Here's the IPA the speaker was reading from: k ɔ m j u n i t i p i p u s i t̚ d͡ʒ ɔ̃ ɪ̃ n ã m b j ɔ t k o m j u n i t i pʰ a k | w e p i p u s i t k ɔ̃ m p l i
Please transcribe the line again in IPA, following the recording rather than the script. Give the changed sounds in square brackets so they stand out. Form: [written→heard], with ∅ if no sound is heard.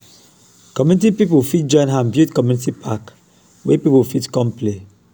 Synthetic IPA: k ɔ m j u n i t i p i p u [s→f] i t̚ d͡ʒ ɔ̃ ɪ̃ n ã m b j [ɔ→u] t k [o→ɔ] m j u n i t i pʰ a k | w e p i p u [s→f] i t k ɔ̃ m p l [i→e]